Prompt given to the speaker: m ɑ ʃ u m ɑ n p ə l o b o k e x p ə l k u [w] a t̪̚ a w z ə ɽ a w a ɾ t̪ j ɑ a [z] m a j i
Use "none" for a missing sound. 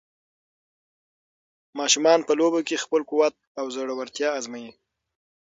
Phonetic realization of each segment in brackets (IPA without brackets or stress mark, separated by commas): w, z